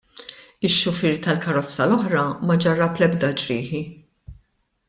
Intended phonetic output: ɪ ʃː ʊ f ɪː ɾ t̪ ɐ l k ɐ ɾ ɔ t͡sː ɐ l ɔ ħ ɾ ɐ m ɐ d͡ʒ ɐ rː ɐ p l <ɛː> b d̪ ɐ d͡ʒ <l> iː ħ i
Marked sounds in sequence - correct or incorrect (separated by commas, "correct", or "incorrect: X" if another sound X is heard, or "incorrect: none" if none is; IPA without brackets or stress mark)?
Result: incorrect: ɛ, incorrect: ɾ